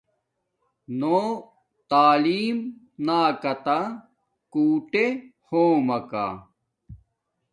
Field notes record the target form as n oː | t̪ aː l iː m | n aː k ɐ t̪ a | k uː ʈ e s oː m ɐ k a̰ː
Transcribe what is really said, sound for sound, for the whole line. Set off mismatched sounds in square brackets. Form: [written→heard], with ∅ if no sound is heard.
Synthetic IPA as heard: n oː | t̪ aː l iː m | n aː k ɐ t̪ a | k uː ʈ e [s→h] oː m ɐ k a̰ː